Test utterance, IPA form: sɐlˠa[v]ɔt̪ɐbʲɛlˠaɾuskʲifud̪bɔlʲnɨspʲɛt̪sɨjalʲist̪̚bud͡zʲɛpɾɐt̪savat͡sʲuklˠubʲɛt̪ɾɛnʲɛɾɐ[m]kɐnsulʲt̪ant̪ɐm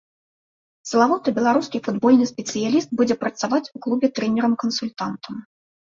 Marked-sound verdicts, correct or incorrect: correct, correct

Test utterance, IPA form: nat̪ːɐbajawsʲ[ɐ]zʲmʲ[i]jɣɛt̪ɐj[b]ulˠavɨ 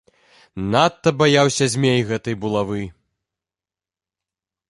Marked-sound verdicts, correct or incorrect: correct, incorrect: e, correct

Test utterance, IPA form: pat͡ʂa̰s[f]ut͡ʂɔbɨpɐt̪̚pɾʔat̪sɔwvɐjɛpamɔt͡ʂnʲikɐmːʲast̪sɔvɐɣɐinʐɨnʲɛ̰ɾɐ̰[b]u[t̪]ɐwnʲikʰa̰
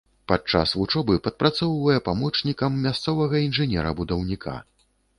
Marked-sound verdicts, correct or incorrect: incorrect: v, correct, incorrect: d̪

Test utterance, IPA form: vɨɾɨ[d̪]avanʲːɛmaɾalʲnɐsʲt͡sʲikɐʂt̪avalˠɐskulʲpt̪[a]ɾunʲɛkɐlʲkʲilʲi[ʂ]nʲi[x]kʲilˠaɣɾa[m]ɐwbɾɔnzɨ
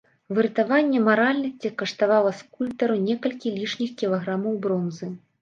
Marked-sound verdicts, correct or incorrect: incorrect: t̪, incorrect: ɐ, correct, correct, correct

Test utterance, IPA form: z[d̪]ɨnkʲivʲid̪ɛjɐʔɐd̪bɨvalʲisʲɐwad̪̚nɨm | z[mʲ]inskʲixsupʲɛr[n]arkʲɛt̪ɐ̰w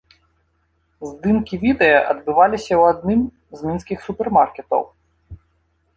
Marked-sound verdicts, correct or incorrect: correct, correct, incorrect: m

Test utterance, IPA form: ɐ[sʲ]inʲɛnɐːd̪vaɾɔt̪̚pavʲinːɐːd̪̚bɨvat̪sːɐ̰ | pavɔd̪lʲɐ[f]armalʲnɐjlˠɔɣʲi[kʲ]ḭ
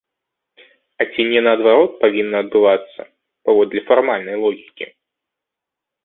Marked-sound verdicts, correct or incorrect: incorrect: t͡sʲ, correct, correct

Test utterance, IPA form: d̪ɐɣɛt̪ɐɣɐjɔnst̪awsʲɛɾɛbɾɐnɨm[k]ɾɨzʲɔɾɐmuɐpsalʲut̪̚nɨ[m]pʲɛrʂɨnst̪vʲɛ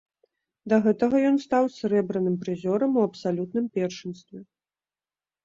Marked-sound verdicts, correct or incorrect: incorrect: p, correct

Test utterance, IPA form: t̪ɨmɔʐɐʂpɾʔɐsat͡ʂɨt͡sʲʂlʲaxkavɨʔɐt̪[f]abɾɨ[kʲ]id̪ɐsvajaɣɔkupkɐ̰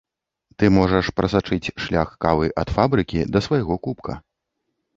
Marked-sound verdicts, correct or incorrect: correct, correct

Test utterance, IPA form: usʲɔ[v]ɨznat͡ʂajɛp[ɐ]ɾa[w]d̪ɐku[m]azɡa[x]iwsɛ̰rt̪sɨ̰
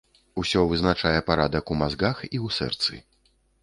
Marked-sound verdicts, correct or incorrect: correct, incorrect: a, incorrect: none, correct, correct

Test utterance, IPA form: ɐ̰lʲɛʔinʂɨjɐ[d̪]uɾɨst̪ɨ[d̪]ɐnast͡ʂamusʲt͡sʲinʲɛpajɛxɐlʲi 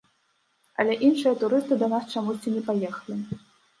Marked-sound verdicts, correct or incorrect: incorrect: t̪, correct

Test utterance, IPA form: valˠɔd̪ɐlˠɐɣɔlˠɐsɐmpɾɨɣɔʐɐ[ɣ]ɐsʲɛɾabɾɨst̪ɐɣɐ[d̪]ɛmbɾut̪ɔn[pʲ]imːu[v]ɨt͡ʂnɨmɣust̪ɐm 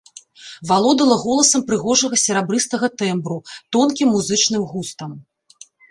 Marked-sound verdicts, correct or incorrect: correct, incorrect: t̪, incorrect: kʲ, incorrect: z

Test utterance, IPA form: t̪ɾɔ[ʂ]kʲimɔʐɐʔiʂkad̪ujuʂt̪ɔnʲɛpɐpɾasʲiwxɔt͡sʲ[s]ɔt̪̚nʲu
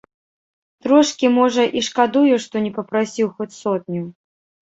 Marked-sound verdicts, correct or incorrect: correct, correct

